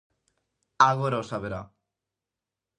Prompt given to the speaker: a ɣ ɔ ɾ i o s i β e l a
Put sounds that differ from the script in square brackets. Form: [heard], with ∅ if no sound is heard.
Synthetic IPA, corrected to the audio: a ɣ [o] ɾ [a] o s [a] β e [ɾ] a